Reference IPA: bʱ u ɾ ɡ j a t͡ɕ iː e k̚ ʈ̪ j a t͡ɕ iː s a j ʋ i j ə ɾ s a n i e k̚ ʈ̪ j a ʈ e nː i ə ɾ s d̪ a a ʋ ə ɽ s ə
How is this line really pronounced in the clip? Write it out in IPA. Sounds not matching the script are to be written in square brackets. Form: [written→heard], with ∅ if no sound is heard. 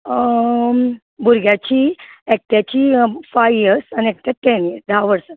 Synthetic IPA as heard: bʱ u ɾ ɡ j a t͡ɕ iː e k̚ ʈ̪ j a t͡ɕ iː [s→f] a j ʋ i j ə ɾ s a n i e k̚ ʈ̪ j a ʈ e [nː→n] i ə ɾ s d̪ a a ʋ ə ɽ s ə

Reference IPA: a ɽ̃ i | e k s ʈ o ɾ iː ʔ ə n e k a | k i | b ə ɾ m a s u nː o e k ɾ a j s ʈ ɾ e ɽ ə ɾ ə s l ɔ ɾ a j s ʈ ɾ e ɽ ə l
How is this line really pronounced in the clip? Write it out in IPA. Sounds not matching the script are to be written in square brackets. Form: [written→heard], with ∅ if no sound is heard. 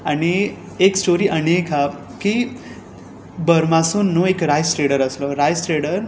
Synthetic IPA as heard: a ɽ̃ i | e k s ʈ o ɾ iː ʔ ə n e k a | k i | b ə ɾ m a s u nː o e k ɾ a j s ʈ ɾ e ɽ ə ɾ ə s l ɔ ɾ a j s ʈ ɾ e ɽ ə [l→ɾ]

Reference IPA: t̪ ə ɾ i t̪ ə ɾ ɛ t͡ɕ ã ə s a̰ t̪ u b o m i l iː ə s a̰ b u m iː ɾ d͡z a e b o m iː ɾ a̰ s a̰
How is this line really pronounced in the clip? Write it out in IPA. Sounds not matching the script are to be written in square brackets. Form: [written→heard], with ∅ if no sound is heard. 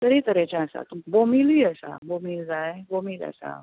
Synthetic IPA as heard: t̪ ə ɾ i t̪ ə ɾ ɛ t͡ɕ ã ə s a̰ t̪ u b o m i l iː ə s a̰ b [u→o] m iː [ɾ→l] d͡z a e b o m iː [ɾ→l] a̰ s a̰

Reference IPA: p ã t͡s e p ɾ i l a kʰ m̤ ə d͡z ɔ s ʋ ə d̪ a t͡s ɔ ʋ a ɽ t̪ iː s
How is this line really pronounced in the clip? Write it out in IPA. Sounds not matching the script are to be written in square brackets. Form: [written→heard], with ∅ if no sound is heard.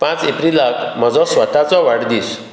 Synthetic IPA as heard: p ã t͡s e p ɾ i l a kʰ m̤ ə d͡z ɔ s ʋ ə [d̪→t̪] a t͡s ɔ ʋ a ɽ [t̪→d̪] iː s

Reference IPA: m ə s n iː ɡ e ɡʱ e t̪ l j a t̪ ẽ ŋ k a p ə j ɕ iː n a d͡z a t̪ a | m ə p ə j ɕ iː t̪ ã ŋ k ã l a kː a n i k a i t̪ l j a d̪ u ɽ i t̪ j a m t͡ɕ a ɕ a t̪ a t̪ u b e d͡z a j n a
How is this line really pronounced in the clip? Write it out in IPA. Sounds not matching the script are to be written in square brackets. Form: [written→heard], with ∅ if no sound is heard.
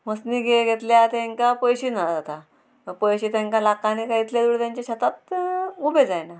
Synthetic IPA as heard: m ə s n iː ɡ e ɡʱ e t̪ l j a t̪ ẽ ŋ k a p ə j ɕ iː n a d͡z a t̪ a | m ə p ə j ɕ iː t̪ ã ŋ k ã l a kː a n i k a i t̪ l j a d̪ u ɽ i t̪ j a [m→ɲ] t͡ɕ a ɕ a t̪ a t̪ u b e d͡z a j n a

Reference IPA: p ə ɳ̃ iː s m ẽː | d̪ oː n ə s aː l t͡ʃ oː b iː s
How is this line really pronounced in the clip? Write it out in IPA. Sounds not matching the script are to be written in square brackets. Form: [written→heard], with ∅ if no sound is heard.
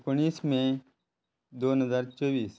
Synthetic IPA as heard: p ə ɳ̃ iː s m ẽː | d̪ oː n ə [s→z] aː [l→ɾ] t͡ʃ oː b iː s

